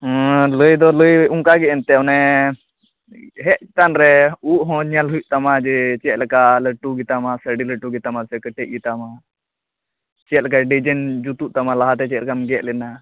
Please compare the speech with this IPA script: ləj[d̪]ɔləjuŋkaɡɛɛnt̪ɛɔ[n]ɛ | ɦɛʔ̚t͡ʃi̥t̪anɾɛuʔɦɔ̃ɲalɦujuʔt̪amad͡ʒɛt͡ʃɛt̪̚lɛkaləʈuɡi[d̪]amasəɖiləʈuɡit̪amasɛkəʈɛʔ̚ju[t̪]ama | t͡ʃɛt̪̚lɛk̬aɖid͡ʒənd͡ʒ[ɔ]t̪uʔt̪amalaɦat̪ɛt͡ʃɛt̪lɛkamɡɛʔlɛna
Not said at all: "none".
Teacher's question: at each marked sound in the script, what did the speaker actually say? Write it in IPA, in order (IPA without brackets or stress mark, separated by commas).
d̪, n, t̪, t̪, u